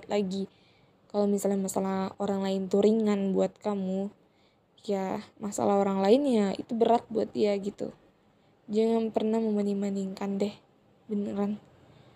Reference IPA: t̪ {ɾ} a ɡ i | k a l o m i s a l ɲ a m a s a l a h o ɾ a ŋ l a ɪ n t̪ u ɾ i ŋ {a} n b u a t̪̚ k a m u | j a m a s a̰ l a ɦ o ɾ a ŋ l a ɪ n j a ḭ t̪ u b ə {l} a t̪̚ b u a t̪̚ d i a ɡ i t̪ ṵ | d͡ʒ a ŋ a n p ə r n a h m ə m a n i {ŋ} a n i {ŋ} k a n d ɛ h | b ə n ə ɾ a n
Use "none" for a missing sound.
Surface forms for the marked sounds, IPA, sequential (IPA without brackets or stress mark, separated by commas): l, a, ɾ, m, ŋ